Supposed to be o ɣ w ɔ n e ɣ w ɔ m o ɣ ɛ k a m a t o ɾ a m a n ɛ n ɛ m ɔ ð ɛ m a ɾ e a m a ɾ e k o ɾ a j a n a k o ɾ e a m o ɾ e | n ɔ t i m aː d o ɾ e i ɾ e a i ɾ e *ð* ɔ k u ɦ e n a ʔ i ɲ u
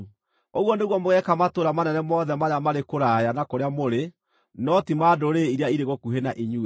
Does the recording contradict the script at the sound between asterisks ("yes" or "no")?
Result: yes